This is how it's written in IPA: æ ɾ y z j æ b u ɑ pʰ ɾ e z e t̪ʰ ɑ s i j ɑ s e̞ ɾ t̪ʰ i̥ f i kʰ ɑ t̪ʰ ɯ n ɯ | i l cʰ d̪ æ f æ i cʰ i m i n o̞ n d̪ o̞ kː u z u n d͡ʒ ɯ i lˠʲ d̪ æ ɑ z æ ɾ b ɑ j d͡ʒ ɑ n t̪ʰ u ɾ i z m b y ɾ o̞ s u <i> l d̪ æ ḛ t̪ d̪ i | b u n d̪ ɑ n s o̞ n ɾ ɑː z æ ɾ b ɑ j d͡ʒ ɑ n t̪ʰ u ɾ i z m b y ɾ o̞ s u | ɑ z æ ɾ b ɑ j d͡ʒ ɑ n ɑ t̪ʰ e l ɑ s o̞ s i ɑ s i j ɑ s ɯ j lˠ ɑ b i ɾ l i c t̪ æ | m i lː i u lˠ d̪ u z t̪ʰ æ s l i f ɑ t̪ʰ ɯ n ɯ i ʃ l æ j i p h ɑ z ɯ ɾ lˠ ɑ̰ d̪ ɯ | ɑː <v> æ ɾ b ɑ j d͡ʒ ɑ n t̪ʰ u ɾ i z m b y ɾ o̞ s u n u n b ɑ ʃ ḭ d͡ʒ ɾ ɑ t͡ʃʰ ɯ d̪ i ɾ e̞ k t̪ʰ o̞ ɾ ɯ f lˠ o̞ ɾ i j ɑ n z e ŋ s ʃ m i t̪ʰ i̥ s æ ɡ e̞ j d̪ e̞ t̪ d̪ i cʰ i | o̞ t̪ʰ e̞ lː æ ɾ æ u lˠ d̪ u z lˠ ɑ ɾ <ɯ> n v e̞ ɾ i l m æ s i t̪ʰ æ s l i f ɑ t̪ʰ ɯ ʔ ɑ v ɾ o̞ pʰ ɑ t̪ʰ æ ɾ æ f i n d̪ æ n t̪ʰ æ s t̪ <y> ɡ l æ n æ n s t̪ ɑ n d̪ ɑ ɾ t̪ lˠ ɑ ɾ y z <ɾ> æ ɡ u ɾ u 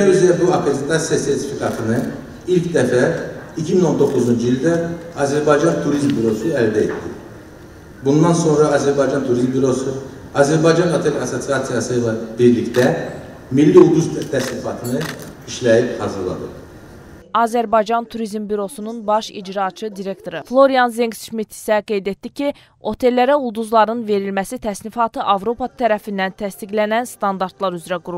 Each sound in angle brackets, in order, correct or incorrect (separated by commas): incorrect, incorrect, correct, incorrect, correct